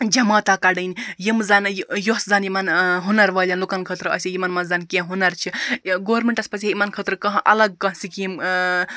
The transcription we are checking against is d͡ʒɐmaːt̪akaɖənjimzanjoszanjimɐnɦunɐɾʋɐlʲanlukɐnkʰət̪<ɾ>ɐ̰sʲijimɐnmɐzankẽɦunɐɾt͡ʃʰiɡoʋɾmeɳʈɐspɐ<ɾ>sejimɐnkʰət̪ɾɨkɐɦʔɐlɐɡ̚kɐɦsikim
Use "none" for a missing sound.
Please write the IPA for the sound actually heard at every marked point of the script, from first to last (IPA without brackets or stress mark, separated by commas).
ɾ, none